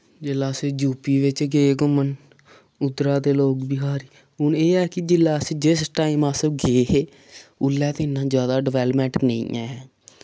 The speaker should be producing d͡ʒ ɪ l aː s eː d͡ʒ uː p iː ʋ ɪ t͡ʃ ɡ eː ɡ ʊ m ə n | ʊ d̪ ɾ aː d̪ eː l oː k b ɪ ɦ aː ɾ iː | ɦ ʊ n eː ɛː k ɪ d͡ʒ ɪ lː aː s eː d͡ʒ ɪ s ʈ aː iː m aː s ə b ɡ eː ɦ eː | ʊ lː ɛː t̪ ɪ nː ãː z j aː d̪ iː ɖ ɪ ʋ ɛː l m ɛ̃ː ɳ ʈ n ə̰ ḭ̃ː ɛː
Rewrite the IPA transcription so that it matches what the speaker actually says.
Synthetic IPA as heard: d͡ʒ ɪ l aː s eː d͡ʒ uː p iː ʋ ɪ t͡ʃ ɡ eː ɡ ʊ m ə n | ʊ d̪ ɾ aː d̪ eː l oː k b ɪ ɦ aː ɾ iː | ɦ ʊ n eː ɛː k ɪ d͡ʒ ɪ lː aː s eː d͡ʒ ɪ s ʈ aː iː m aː s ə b ɡ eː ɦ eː | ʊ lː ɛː t̪ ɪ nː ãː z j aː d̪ aː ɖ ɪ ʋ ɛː l m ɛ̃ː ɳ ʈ n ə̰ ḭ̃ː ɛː